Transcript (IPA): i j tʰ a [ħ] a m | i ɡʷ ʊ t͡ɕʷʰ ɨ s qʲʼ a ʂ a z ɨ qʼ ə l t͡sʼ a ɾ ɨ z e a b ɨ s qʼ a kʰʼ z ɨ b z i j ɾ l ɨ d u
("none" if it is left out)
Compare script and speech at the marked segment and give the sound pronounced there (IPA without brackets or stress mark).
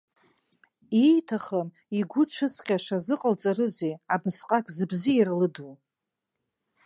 χ